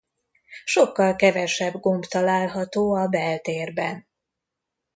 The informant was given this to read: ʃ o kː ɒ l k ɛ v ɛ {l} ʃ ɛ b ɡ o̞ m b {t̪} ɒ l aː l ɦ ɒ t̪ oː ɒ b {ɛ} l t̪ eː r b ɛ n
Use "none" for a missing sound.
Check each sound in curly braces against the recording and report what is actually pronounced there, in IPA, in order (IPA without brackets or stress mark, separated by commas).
none, t̪, ɛ